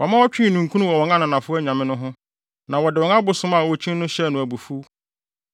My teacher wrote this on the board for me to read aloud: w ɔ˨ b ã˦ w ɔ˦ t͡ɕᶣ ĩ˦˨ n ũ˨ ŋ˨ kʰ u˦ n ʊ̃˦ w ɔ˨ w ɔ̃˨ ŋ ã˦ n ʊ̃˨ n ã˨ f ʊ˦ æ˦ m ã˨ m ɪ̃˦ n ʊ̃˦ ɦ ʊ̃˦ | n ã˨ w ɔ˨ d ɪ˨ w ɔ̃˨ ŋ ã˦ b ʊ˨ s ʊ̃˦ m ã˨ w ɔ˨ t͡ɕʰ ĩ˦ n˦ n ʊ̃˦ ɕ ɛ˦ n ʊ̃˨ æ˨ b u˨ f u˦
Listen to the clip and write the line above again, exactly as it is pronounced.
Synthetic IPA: w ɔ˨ m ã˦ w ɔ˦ t͡ɕᶣ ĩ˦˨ n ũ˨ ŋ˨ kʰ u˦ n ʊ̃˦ w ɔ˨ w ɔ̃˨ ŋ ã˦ n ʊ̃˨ n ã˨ f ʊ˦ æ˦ ɲ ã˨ m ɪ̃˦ n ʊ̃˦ ɦ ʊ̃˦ | n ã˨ w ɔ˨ d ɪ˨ w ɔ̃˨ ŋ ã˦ b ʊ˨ s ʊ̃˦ m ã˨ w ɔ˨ t͡ɕʰ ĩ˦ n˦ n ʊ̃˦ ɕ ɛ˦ n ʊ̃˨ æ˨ b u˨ f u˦